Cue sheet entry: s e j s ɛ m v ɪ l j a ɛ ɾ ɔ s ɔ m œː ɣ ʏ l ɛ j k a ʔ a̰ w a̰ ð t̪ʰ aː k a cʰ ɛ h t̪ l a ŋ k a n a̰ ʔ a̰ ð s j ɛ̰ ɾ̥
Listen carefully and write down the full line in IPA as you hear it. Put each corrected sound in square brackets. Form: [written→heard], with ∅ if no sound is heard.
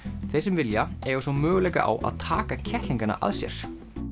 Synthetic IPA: [s→θ] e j s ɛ m v ɪ l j a ɛ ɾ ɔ s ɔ m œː ɣ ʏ l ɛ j k a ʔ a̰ w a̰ ð t̪ʰ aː k a cʰ ɛ h t̪ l [a→i] ŋ k a n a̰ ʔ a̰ ð s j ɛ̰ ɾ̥